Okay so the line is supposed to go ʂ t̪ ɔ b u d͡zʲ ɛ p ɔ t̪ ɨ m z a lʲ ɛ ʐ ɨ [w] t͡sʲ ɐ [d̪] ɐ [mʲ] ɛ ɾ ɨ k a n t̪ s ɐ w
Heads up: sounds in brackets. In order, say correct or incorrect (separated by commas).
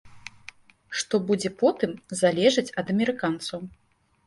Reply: incorrect, correct, correct